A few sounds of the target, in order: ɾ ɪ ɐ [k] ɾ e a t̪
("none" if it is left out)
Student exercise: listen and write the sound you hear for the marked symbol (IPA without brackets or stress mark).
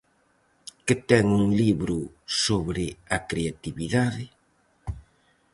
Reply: k